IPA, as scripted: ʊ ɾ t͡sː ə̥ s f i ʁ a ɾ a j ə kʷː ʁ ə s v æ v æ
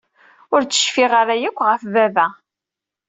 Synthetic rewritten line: ʊ ɾ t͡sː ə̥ ʃ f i ʁ a ɾ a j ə kʷː ʁ ə f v æ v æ